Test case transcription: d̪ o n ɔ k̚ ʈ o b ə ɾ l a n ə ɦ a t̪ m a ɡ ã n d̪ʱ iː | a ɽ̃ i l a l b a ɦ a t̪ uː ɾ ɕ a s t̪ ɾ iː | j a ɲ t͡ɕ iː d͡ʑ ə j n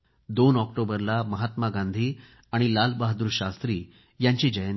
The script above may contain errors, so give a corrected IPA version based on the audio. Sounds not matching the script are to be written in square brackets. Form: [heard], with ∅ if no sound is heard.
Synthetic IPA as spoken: d̪ o n ɔ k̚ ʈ o b ə ɾ l a [m] ə ɦ a t̪ m a ɡ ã n d̪ʱ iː | a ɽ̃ i l a l b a ɦ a [d̪] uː ɾ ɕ a s t̪ ɾ iː | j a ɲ t͡ɕ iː d͡ʑ ə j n